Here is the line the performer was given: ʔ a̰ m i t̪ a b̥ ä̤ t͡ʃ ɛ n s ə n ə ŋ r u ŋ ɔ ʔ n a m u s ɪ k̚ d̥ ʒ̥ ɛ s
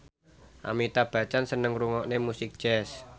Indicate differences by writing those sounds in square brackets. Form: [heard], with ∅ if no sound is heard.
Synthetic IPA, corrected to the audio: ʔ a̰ m i t̪ a b̥ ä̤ t͡ʃ [a] n s ə n ə ŋ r u ŋ ɔ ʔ n [e] m u s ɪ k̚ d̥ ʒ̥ ɛ s